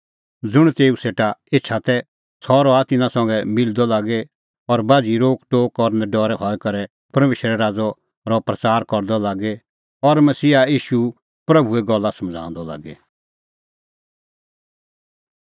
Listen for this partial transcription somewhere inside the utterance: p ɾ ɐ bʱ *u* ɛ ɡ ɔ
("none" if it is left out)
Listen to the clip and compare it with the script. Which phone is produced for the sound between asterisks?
u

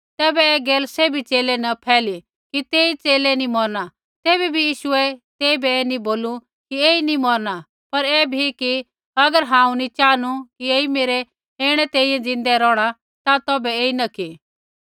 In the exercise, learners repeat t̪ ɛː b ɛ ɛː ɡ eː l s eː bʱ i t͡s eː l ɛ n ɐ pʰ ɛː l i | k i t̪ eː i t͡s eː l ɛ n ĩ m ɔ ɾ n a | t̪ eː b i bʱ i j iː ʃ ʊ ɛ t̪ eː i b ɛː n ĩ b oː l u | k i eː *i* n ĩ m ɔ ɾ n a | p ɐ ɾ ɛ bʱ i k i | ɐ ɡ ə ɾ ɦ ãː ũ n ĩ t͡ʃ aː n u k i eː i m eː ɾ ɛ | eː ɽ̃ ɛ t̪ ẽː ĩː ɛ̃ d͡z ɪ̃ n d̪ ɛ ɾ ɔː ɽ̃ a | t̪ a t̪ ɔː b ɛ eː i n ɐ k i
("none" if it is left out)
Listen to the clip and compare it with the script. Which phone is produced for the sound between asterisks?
i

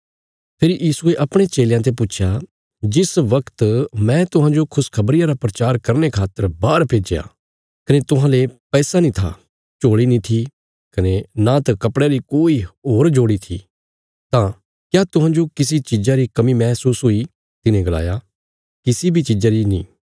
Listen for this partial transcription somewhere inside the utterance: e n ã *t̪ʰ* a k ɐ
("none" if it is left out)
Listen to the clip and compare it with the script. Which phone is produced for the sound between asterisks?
t̪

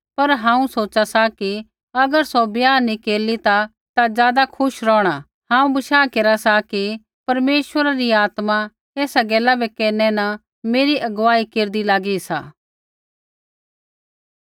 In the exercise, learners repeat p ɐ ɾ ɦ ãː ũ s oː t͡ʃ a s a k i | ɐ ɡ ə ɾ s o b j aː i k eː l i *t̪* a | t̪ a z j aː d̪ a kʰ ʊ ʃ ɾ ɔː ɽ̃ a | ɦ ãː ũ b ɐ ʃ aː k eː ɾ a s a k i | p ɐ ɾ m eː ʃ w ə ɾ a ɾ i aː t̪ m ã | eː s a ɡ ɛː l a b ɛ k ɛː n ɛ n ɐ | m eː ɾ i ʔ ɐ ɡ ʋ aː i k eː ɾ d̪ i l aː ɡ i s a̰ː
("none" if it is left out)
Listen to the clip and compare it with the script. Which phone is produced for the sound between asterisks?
t̪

